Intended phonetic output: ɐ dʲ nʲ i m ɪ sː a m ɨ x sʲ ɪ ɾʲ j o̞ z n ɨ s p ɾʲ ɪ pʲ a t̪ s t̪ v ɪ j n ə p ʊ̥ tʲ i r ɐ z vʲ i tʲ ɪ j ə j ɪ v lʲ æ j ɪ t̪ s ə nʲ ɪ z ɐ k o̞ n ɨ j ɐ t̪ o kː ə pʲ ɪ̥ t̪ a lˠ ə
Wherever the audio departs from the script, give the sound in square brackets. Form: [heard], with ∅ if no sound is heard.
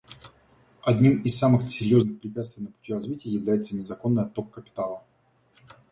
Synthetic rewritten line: ɐ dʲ nʲ i m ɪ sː a m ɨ x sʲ ɪ ɾʲ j o̞ z n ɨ [x] p ɾʲ ɪ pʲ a t̪ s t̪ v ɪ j n ə p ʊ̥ tʲ i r ɐ z vʲ i tʲ ɪ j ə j ɪ v lʲ æ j ɪ t̪ s ə nʲ ɪ z ɐ k o̞ [nː] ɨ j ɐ t̪ o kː ə pʲ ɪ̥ t̪ a lˠ ə